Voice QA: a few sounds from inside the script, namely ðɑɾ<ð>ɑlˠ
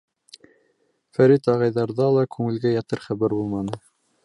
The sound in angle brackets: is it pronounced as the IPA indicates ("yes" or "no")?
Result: yes